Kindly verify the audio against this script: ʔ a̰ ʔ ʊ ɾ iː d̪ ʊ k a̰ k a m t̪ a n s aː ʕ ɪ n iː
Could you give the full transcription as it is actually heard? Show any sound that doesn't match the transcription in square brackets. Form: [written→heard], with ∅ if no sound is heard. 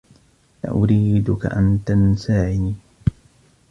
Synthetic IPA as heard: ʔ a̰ ʔ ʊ ɾ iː d̪ ʊ k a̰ [k→ʔ] a [m→n] t̪ a n s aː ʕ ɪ n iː